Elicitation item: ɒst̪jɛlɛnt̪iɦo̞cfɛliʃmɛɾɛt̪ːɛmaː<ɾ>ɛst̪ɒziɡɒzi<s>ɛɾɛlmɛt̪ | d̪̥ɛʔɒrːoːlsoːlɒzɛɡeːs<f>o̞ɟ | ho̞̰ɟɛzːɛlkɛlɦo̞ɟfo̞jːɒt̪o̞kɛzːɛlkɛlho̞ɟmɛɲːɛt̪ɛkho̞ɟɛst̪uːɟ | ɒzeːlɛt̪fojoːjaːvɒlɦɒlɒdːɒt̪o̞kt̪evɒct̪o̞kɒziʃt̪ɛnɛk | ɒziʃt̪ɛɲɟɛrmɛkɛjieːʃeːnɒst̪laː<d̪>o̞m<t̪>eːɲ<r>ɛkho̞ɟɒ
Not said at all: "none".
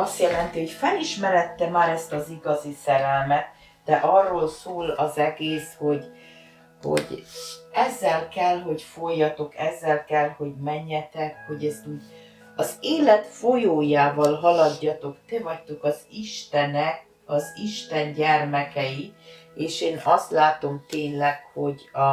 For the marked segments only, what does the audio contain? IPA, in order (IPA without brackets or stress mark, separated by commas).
ɾ, s, h, t̪, t̪, l